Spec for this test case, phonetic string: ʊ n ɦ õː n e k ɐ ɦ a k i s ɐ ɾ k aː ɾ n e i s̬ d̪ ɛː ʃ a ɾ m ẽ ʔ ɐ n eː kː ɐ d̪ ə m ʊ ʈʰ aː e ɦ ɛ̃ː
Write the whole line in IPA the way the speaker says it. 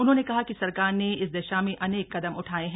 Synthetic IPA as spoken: ʊ n ɦ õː n e k ɐ ɦ a k i s ɐ ɾ k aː ɾ n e ɪ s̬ d̪ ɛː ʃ a m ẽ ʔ ɐ n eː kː ɐ d̪ ə m ʊ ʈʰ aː e ɦ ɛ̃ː